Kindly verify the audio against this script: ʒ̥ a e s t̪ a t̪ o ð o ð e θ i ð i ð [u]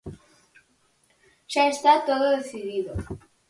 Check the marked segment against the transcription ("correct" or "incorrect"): incorrect